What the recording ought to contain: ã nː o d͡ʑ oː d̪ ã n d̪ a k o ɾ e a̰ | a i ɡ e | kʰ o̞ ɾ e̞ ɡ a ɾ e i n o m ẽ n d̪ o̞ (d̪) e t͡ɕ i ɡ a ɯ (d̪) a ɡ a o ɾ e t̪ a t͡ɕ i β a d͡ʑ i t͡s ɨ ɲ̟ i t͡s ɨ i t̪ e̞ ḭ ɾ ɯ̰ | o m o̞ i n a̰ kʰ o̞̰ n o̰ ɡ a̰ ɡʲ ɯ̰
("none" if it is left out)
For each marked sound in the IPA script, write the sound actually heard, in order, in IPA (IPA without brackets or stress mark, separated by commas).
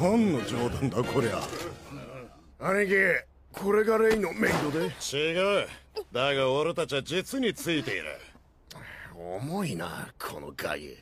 d̪, d̪